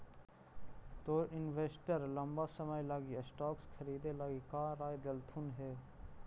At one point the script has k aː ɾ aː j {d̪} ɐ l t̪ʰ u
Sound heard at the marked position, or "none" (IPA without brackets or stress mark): d̪